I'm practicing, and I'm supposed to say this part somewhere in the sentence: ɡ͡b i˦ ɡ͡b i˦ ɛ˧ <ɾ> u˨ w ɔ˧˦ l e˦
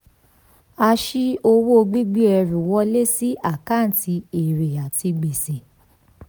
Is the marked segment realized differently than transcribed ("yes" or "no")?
no